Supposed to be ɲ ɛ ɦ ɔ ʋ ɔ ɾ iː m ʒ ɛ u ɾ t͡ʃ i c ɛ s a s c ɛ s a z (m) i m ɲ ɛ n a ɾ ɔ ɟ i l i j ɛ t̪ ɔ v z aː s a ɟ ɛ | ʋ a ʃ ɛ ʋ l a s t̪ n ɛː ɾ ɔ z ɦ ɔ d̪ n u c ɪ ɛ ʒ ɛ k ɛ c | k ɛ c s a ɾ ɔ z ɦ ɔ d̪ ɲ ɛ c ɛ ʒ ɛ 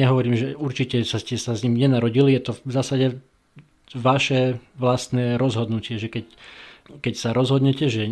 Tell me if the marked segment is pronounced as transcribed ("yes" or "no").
no